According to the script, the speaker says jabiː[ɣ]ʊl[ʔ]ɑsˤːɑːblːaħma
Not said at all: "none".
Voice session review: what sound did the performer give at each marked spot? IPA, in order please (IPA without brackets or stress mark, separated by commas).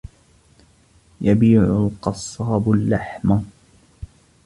ʕ, q